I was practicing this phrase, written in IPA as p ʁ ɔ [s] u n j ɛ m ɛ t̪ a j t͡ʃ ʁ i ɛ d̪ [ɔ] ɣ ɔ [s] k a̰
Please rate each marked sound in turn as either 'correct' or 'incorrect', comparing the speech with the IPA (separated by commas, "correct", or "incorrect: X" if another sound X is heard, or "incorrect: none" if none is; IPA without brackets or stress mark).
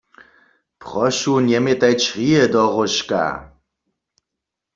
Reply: incorrect: ʃ, correct, incorrect: ʃ